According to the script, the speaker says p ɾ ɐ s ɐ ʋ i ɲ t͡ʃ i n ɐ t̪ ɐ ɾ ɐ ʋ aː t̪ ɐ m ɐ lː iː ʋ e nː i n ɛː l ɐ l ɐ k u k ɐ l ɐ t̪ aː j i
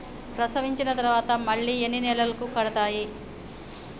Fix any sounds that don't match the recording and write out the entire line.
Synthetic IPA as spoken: p ɾ ɐ s ɐ ʋ i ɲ t͡ʃ i n ɐ t̪ ɐ ɾ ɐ ʋ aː t̪ ɐ m ɐ ɭː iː e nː i n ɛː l ɐ l ɐ k u k ɐ ɽ ɐ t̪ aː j i